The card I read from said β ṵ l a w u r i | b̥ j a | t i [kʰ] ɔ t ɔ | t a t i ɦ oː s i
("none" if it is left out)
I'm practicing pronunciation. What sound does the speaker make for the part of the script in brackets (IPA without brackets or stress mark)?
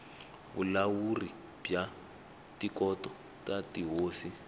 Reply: k